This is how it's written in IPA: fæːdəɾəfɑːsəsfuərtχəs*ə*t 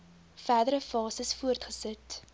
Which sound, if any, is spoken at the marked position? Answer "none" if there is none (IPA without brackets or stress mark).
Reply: ə